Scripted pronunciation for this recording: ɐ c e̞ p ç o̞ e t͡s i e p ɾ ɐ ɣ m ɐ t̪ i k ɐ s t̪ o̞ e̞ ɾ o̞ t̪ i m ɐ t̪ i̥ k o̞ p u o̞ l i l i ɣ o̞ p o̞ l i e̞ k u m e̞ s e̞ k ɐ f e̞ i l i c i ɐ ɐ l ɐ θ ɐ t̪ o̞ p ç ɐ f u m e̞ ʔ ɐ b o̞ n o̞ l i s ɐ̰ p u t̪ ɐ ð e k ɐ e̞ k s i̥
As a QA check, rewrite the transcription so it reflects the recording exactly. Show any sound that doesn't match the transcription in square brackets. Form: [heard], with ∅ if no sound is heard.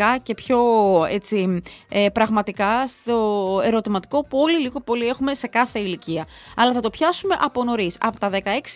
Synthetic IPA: ɐ c e̞ p ç o̞ e t͡s i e p ɾ ɐ ɣ m ɐ t̪ i k ɐ s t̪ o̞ e̞ ɾ o̞ t̪ i m ɐ t̪ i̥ k o̞ p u o̞ l i l i ɣ o̞ p o̞ l i e̞ [x] u m e̞ s e̞ k ɐ [θ] e̞ i l i c i ɐ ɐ l ɐ θ ɐ t̪ o̞ p ç ɐ [s] u m e̞ ʔ ɐ [p] o̞ n o̞ [ɾ] i s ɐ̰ p [o] t̪ ɐ ð e k ɐ e̞ k s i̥